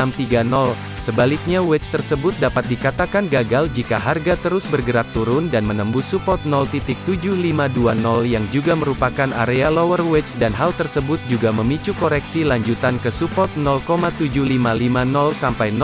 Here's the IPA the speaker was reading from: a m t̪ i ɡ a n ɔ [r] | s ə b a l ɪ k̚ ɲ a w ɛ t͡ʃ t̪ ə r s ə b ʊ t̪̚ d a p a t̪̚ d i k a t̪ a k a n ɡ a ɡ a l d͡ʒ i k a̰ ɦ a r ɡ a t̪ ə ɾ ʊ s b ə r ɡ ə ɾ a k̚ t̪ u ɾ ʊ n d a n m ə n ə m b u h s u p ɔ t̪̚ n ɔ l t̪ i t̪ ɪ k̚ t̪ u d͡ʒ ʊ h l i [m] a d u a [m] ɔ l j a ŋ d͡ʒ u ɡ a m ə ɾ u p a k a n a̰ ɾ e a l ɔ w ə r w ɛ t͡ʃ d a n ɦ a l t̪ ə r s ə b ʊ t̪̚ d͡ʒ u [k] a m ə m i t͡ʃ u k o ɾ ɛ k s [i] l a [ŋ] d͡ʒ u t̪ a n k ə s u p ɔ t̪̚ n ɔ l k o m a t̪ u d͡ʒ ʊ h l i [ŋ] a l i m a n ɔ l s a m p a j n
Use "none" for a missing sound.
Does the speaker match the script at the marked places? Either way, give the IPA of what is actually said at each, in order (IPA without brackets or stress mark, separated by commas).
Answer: l, m, n, ɡ, i, ɲ, m